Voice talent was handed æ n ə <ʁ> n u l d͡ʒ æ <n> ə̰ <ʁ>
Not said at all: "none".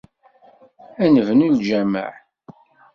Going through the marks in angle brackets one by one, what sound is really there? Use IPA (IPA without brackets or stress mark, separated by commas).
v, m, ʕ